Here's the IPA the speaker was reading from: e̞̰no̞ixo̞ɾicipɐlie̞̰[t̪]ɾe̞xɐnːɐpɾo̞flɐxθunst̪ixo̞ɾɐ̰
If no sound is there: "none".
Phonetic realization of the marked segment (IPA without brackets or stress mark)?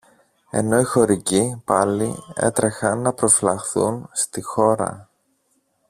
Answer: t̪